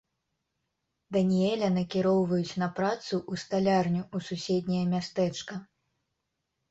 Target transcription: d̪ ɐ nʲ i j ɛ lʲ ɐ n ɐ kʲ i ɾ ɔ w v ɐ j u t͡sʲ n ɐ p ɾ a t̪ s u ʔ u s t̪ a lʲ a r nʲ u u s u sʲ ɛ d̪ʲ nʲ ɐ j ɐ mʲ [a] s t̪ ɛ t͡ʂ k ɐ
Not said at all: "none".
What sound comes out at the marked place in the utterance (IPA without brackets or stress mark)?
a